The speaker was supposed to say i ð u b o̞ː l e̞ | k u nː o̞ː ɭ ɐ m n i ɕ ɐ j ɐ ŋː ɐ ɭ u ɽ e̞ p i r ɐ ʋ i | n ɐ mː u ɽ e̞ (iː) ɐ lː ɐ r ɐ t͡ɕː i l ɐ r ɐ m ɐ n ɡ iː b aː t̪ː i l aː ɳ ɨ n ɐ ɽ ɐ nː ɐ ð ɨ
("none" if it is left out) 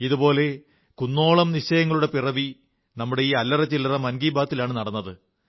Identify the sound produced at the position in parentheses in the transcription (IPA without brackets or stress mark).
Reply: iː